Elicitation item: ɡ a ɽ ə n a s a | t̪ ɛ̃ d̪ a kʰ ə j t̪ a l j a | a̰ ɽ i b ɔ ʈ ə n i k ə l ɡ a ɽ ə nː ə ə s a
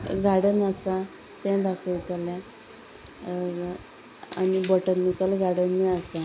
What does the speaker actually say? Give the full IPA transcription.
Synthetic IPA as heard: ɡ a ɽ ə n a s a | t̪ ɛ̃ d̪ a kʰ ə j t̪ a l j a | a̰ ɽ i b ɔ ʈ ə n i k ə l ɡ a ɽ ə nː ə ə s a